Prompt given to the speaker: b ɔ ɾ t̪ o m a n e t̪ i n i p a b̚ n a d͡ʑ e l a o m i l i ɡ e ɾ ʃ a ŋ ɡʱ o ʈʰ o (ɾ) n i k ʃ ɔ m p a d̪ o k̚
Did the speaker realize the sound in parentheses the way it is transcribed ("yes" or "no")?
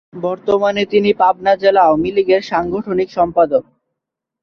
no